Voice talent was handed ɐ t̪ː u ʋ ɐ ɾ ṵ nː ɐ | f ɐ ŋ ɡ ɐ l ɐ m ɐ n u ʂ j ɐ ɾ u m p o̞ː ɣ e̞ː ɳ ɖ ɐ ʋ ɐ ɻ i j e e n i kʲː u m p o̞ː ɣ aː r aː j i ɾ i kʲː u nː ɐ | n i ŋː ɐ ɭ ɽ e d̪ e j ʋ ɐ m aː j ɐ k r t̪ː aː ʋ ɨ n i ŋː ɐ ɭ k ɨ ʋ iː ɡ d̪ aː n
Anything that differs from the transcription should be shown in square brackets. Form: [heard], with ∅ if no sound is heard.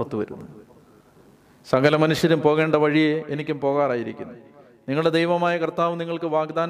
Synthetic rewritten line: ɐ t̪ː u ʋ ɐ ɾ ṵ nː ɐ | [s] ɐ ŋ ɡ ɐ l ɐ m ɐ n u ʂ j ɐ ɾ u m p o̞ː ɣ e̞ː ɳ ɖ ɐ ʋ ɐ ɻ i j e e n i kʲː u m p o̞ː ɣ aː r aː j i ɾ i kʲː u nː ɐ | n i ŋː ɐ ɭ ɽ e d̪ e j ʋ ɐ m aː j ɐ k r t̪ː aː ʋ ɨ n i ŋː ɐ ɭ k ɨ ʋ [aː] ɡ d̪ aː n